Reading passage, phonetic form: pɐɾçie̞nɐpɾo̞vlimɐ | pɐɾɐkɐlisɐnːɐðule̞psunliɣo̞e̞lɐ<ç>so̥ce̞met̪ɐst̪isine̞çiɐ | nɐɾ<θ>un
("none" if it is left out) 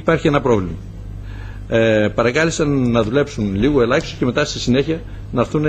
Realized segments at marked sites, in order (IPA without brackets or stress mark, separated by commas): ç, θ